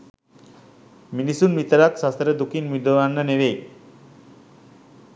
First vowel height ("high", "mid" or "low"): high